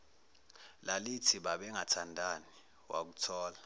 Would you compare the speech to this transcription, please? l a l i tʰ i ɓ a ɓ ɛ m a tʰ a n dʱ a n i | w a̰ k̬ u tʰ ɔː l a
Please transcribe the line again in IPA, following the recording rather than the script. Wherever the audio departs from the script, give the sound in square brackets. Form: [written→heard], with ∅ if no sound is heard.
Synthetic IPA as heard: l a l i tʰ i ɓ a ɓ ɛ [m→ŋ] a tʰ a n dʱ a n i | w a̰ k̬ u tʰ ɔː l a

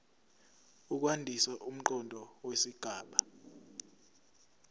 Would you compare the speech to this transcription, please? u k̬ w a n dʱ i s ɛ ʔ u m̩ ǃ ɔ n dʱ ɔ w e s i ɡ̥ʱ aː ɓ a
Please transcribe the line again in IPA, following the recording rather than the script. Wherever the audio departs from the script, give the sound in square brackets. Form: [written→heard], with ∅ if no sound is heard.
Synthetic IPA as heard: u k̬ w a n dʱ i s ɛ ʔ u m̩ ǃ ɔ n dʱ ɔ w e s i ɡ̥ʱ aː ɓ a

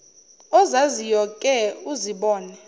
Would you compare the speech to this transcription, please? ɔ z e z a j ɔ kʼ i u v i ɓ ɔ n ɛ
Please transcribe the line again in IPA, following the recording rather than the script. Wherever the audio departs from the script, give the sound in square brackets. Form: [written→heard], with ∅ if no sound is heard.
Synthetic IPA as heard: ɔ z [e→a] z [a→i] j ɔ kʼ [i→ɛ] u [v→z] i ɓ [ɔ→ɔː] n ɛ

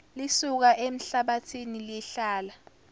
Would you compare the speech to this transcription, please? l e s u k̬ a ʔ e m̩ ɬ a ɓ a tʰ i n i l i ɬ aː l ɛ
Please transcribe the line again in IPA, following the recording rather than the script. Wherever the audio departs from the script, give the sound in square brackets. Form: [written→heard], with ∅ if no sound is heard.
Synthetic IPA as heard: l [e→i] s u k̬ a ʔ e m̩ ɬ a ɓ a tʰ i n i l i ɬ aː l [ɛ→a]

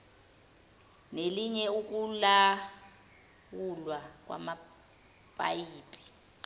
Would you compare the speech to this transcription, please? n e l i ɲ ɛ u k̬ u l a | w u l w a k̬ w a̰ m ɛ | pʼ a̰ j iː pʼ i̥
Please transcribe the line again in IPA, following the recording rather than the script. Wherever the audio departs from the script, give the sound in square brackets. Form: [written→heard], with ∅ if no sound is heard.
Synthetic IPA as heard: n e l i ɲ ɛ u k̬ u l a | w u l w a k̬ w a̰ m [ɛ→a] | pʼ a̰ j iː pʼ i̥

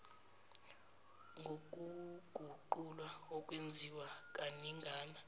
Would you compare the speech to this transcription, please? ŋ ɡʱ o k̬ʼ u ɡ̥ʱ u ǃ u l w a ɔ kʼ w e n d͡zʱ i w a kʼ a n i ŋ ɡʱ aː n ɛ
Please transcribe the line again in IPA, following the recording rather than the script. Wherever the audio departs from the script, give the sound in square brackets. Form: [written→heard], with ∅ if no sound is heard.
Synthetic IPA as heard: ŋ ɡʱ o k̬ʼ u ɡ̥ʱ u ǃ u l w a ɔ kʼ w e n d͡zʱ i w a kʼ a n i ŋ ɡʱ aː n [ɛ→a]

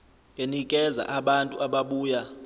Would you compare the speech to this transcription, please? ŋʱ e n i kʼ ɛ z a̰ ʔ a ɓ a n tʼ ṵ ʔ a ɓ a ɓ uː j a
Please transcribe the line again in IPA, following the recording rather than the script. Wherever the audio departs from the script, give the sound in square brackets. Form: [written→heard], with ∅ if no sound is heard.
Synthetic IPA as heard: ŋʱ e n i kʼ ɛ z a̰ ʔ a ɓ a n tʼ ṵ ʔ a ɓ a ɓ uː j a

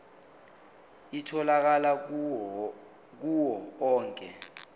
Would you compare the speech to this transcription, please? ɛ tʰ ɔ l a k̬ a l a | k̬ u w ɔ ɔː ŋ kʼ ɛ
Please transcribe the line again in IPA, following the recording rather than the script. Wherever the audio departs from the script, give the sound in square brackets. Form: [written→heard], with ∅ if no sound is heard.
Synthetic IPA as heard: [ɛ→i] tʰ ɔ l a k̬ a l a | k̬ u w ɔ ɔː ŋ kʼ ɛ

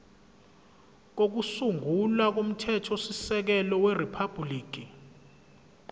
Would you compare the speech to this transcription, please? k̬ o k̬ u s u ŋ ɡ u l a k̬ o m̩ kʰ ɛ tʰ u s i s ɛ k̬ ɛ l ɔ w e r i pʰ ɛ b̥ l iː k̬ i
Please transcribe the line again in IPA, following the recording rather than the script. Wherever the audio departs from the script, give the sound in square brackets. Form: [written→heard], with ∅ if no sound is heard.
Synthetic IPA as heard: k̬ o k̬ u s u ŋ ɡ u l a k̬ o m̩ [kʰ→tʰ] ɛ tʰ [u→ɔ] s i s ɛ k̬ ɛ l ɔ w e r i pʰ [ɛ→a] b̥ l iː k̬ i

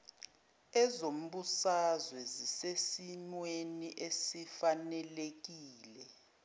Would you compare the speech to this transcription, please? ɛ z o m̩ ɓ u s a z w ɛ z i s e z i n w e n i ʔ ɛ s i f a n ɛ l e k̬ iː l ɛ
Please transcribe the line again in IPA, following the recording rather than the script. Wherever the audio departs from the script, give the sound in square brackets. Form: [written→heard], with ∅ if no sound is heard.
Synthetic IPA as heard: ɛ z o m̩ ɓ u s a z w ɛ z i s e [z→s] i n w e n i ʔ [ɛ→e] s i f a n ɛ l e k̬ iː l ɛ

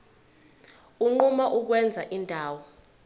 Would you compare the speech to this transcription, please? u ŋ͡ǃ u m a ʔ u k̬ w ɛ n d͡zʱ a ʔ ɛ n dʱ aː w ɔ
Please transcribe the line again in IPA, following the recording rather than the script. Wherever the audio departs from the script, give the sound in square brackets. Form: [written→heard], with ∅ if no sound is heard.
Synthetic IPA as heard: u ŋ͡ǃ u m a ʔ u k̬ w ɛ n d͡zʱ a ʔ [ɛ→i] n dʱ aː w ɔ

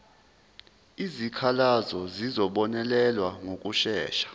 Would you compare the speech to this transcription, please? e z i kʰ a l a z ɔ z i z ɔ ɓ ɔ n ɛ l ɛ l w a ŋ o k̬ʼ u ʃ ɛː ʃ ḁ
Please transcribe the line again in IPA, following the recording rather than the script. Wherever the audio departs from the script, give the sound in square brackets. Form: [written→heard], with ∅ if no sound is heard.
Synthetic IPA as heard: [e→i] z i kʰ a l a z ɔ z i z ɔ ɓ ɔ n ɛ l ɛ l w a ŋ o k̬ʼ u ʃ ɛː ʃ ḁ

